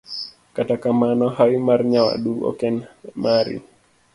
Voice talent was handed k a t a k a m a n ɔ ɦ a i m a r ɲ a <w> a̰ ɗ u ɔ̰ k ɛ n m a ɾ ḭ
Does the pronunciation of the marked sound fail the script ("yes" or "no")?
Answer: no